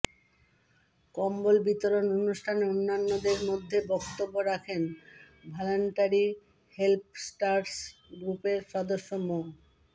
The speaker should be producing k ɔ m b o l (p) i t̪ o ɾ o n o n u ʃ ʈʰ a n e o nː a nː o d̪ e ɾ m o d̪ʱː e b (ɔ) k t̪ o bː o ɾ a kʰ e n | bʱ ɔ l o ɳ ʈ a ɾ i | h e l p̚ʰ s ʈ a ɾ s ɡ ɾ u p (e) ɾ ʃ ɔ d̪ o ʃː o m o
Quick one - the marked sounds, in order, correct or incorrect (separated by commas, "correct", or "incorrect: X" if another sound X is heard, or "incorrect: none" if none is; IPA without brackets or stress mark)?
incorrect: b, correct, correct